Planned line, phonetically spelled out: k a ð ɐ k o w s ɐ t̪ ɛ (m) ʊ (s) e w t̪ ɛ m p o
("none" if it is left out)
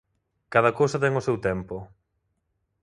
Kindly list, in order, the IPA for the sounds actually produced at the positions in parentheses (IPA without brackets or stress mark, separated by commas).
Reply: ŋ, s